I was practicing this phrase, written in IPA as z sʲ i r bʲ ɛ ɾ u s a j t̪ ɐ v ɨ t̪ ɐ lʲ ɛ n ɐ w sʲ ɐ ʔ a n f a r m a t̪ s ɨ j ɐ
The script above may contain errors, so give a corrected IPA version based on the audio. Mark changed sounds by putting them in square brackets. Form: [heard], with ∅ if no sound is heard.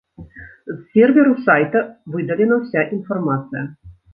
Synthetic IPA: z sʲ [ɛ] r [vʲ] ɛ ɾ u s a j t̪ ɐ v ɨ [d̪] ɐ lʲ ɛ n ɐ w sʲ [a] ʔ [i] n f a r m a t̪ s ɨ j ɐ